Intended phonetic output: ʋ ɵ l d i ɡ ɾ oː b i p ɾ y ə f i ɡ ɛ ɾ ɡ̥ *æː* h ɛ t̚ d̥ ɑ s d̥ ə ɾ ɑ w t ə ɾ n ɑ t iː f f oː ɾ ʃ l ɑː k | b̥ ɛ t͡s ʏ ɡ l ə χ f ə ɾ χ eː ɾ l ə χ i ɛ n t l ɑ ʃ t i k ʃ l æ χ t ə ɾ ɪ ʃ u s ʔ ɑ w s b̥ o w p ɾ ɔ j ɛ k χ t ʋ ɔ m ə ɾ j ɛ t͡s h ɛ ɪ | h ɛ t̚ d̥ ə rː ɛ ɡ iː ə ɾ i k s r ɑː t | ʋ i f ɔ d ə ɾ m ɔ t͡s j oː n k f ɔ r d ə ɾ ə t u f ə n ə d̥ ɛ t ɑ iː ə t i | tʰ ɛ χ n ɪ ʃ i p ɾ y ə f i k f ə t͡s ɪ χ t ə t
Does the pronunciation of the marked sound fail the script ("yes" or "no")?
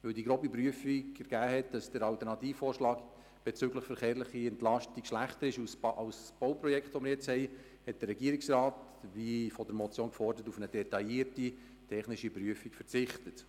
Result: no